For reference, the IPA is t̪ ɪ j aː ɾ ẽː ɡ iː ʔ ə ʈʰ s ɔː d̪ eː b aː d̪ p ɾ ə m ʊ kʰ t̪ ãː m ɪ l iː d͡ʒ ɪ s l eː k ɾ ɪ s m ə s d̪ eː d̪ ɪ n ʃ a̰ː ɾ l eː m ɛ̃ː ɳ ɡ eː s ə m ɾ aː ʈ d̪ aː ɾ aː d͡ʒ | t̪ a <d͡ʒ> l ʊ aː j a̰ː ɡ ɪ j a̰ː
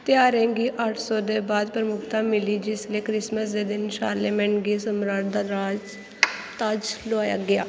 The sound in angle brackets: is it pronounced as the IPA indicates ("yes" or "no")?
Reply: yes